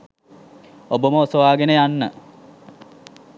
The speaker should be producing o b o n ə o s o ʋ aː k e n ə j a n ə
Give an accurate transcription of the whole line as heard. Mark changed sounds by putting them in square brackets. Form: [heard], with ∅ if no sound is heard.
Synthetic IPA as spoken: o b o [m] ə o s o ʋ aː [ɡ] e n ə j a [nː] ə